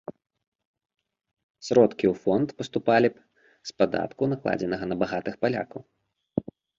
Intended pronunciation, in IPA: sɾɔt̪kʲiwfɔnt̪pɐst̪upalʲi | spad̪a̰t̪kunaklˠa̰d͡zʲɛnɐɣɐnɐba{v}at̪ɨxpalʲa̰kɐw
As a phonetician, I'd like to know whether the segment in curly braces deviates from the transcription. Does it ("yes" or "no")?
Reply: yes